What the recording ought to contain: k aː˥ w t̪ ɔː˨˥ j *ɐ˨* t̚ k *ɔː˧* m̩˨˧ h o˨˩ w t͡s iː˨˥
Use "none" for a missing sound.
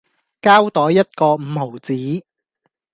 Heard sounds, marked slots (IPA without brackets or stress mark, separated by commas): ɐ˥, ɔː˧